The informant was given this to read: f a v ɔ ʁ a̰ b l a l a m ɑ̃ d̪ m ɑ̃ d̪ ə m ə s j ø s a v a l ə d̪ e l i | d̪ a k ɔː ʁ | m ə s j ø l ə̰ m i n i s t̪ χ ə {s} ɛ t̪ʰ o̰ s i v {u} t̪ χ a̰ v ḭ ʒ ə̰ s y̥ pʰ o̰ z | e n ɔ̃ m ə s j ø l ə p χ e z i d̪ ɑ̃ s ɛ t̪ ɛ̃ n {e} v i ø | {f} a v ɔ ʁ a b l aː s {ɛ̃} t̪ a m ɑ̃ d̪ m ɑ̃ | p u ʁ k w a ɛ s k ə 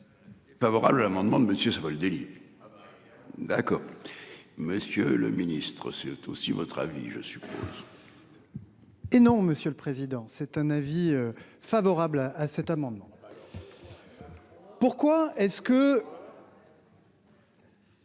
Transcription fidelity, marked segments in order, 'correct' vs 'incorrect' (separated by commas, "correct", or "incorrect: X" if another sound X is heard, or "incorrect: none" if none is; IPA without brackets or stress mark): correct, incorrect: ɔ, incorrect: a, correct, incorrect: ɛ